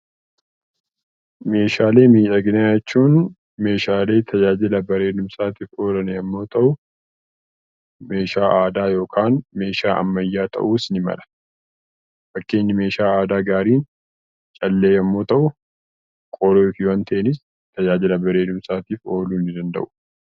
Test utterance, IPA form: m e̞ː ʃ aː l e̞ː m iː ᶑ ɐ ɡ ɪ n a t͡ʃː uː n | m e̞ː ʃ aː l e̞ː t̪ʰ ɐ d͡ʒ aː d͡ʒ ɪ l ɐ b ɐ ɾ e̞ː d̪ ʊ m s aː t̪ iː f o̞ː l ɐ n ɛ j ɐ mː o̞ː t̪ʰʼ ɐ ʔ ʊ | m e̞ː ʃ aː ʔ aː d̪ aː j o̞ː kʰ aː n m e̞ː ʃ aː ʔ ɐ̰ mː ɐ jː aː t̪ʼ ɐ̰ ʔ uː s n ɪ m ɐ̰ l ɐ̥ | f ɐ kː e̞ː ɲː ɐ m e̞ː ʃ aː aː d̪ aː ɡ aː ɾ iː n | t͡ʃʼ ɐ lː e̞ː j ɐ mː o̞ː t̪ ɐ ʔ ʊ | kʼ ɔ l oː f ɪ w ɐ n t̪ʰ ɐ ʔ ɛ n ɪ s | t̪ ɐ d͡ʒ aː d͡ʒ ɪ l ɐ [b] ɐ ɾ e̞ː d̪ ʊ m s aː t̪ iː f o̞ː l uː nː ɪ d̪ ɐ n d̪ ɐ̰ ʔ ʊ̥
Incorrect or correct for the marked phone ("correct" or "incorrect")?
correct